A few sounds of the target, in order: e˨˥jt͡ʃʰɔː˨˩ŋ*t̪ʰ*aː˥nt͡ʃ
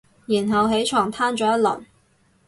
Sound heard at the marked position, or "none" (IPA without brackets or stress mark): t̪ʰ